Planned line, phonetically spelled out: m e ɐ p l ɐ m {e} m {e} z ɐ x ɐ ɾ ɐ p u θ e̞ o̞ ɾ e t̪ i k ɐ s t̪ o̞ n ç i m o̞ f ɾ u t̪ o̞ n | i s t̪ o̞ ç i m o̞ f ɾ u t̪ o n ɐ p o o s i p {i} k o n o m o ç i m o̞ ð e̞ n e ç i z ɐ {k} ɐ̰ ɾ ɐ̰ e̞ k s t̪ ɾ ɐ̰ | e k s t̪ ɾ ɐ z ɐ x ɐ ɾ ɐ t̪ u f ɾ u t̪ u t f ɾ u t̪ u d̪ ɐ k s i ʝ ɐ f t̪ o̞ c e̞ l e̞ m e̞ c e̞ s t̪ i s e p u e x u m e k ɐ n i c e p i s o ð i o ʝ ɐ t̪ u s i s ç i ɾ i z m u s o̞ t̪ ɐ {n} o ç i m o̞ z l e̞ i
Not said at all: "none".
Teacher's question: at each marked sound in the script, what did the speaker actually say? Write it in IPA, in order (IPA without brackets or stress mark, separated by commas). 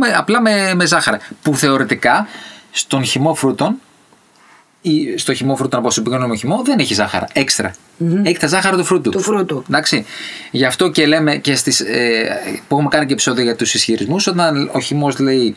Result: e, e, i, x, n